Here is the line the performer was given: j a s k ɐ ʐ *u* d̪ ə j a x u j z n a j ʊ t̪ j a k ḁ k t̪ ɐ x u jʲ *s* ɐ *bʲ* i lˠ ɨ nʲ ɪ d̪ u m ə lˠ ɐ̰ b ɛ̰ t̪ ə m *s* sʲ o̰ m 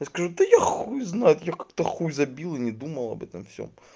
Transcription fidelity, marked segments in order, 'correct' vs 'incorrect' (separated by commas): correct, incorrect, correct, incorrect